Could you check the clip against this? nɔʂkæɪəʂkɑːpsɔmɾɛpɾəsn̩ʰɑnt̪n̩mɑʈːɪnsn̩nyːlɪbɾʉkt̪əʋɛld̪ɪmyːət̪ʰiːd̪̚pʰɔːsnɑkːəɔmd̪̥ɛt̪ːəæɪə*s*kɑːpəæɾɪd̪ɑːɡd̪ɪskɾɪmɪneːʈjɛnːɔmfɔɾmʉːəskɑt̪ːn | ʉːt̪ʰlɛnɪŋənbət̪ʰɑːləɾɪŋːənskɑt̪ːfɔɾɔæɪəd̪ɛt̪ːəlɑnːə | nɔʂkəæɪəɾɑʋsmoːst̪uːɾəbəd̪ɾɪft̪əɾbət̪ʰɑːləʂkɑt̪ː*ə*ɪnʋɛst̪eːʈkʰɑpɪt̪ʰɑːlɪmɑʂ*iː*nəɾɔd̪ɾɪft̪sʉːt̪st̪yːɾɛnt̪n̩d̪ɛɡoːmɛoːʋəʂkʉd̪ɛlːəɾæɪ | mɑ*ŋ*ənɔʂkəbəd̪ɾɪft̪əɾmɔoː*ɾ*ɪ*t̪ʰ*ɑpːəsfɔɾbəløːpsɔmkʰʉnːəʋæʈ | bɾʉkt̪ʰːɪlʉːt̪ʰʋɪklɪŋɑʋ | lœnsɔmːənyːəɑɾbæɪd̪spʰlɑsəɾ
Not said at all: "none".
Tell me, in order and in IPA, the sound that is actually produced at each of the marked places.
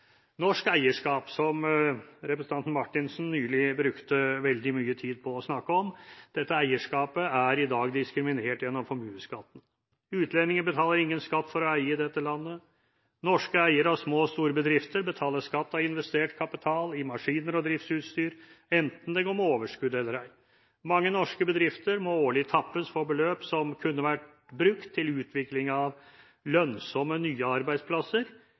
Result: ʂ, ɑ, iː, ŋː, ɭ, t̪ʰ

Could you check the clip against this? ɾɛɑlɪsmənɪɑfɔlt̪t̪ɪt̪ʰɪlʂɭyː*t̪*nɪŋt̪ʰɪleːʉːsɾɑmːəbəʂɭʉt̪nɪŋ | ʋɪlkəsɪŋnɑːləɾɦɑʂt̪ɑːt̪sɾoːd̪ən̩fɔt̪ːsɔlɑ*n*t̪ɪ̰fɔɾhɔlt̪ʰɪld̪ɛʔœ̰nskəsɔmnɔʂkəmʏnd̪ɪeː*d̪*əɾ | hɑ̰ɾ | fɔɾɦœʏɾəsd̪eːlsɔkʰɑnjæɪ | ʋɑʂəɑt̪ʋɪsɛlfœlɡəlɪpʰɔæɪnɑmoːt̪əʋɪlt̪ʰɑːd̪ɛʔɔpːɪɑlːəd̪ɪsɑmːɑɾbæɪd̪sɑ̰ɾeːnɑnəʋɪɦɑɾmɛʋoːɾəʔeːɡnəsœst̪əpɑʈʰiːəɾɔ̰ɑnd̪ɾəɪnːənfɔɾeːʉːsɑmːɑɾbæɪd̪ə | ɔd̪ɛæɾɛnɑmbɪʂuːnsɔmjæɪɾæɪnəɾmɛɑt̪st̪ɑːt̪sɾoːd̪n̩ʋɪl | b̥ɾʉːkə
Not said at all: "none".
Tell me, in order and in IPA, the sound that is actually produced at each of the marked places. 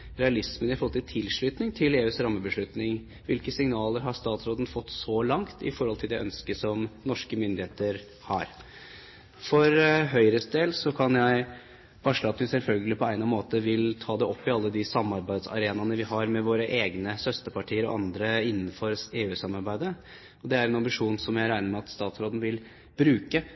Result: t̪, ŋ, t̪

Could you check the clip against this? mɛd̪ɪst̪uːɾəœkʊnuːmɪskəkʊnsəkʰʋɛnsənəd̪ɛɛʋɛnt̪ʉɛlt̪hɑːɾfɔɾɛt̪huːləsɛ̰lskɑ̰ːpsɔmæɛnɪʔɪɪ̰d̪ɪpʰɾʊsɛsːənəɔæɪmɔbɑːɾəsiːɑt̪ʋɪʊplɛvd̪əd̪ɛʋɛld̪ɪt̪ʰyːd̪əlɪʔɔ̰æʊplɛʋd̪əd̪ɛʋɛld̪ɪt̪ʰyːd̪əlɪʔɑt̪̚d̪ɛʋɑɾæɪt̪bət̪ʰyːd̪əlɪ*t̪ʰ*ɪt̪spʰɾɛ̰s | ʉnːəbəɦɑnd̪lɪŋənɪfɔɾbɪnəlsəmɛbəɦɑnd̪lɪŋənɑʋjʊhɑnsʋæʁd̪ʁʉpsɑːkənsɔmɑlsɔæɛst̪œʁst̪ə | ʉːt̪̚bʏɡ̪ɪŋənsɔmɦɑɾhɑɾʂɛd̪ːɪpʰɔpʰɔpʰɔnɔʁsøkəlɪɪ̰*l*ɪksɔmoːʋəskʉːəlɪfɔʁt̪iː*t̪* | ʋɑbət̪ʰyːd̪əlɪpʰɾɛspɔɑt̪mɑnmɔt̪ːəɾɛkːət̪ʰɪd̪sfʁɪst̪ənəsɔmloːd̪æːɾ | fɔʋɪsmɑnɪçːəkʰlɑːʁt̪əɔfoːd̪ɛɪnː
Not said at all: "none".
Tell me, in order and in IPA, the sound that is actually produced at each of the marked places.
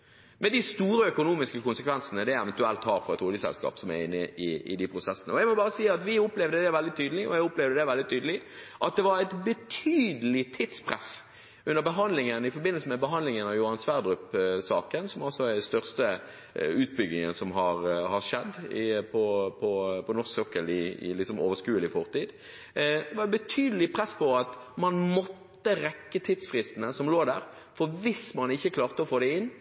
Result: t̪ʰ, l, d̪

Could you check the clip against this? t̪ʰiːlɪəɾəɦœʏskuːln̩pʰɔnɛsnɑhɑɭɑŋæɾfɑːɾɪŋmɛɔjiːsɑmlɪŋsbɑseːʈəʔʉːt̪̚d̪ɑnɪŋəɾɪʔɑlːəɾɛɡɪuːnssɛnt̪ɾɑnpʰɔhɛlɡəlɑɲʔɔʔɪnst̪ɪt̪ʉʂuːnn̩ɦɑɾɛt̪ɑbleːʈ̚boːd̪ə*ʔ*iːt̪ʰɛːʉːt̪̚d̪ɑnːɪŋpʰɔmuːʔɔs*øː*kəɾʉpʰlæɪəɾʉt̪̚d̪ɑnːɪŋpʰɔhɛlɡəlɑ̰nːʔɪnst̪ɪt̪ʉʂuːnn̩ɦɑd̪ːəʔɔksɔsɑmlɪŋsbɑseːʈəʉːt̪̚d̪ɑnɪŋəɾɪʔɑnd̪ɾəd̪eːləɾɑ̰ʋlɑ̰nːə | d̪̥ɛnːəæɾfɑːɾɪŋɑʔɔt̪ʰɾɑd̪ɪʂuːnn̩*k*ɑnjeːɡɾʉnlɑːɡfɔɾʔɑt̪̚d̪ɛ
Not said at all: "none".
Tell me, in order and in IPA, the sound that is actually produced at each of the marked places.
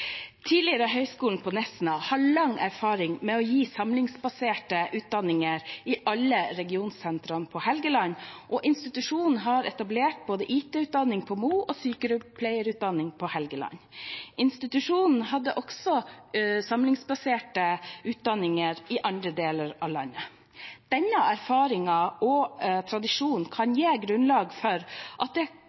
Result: ʔ, yː, kʰ

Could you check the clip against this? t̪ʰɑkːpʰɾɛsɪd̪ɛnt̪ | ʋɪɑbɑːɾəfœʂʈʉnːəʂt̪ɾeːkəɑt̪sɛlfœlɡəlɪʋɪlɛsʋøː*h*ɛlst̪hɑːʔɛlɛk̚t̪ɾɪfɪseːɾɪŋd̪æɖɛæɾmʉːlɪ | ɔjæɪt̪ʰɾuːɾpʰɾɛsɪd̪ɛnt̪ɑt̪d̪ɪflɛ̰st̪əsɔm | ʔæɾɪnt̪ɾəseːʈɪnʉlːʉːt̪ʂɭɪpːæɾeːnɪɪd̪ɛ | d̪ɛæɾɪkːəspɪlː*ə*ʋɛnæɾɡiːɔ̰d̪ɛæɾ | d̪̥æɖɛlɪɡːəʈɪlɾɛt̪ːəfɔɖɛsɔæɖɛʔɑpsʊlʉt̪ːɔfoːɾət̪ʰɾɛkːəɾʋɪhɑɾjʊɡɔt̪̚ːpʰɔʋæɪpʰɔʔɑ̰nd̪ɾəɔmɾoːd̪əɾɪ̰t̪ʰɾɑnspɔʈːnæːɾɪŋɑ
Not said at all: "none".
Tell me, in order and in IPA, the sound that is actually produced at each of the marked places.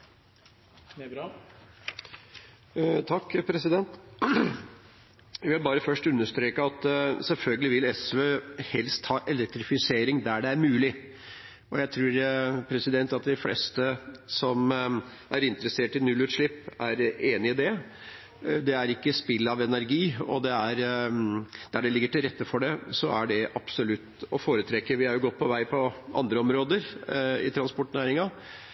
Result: h, ɑ

